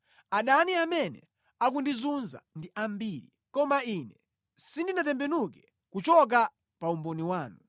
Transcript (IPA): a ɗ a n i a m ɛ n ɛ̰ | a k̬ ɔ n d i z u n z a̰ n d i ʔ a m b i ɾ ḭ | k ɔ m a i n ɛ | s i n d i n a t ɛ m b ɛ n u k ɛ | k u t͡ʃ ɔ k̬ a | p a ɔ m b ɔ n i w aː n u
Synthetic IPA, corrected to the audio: a ɗ a n i a m ɛ n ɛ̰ | a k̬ u n d i z u n z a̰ n d i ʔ a m b i ɾ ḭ | k ɔ m a i n ɛ | s i n d i n a t ɛ m b ɛ n u k ɛ | k u t͡ʃ ɔ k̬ a | p a u m b ɔ n i w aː n u